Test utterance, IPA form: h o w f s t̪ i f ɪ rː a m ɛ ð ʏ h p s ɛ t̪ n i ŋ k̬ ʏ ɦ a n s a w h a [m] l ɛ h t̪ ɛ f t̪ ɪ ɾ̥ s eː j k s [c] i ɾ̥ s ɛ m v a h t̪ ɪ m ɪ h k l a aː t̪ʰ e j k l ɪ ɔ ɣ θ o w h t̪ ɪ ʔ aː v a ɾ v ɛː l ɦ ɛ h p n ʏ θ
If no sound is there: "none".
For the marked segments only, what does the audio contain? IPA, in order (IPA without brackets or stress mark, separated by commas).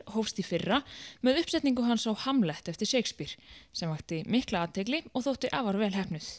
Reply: m, p